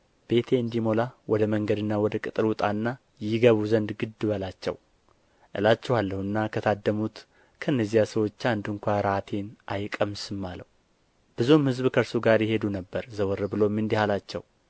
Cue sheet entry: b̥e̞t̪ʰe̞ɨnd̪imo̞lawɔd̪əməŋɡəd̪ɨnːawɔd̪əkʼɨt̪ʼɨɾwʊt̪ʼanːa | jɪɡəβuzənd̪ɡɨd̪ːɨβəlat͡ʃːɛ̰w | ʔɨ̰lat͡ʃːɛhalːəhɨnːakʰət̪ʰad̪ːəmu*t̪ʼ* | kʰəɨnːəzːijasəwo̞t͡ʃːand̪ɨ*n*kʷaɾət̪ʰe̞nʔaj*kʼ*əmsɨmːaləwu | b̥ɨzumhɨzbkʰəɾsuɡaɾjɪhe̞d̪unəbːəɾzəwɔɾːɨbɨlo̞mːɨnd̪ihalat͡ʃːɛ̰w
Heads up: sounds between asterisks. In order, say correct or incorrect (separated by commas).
incorrect, incorrect, correct